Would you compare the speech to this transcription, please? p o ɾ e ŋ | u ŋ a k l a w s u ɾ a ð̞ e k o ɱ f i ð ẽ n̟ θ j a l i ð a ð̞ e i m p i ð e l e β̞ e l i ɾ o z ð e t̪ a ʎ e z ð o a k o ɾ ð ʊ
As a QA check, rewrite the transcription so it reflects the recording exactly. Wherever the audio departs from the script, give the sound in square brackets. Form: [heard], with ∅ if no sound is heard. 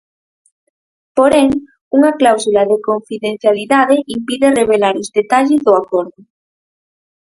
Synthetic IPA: p o ɾ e ŋ | u ŋ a k l a w s u [l] a ð̞ e k o ɱ f i ð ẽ n̟ θ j a l i ð a ð̞ e i m p i ð e [r] e β̞ e l [a] ɾ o z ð e t̪ a ʎ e z ð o a k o ɾ ð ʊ